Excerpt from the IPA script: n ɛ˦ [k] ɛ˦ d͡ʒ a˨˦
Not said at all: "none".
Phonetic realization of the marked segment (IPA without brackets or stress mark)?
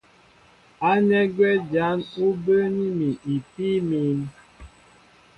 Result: ɡ